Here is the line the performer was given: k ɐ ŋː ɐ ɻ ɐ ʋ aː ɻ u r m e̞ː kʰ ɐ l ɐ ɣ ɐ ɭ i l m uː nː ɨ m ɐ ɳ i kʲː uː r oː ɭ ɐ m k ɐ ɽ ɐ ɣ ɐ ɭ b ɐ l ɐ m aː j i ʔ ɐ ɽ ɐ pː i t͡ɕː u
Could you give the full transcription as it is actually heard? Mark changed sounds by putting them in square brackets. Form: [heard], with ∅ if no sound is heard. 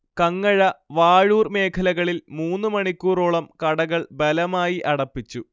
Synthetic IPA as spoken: k ɐ ŋː ɐ ɻ ɐ ʋ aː ɻ [uː] r m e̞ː kʰ ɐ l ɐ ɣ ɐ ɭ i l m uː nː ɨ m ɐ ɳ i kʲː uː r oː ɭ ɐ m k ɐ ɽ ɐ ɣ ɐ ɭ b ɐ l ɐ m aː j i ʔ ɐ ɽ ɐ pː i t͡ɕː u